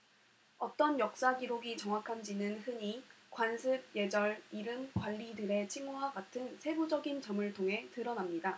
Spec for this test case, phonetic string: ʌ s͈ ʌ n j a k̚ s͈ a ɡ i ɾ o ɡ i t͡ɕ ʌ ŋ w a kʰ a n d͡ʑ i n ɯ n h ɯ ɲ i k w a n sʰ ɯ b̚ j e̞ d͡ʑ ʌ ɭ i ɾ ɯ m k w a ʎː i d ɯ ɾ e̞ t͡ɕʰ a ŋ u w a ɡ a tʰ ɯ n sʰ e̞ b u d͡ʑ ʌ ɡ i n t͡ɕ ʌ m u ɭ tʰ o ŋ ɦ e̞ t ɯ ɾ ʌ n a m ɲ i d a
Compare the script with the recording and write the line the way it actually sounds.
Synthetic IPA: ʌ t͈ ʌ n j ʌ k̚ s͈ a ɡ i ɾ o ɡ i t͡ɕ ʌ ŋ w a kʰ a n d͡ʑ i n ɯ n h ɯ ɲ i k w a n sʰ ɯ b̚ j e̞ d͡ʑ ʌ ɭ i ɾ ɯ m k w a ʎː i d ɯ ɾ e̞ t͡ɕʰ i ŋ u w a ɡ a tʰ ɯ n sʰ e̞ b u d͡ʑ ʌ ɡ i n t͡ɕ ʌ m ɯ ɭ tʰ o ŋ ɦ e̞ t ɯ ɾ ʌ n a m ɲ i d a